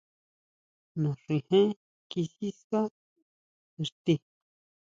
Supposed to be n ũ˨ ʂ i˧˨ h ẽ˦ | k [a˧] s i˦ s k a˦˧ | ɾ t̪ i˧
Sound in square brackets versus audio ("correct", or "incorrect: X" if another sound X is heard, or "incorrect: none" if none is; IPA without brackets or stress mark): incorrect: i˧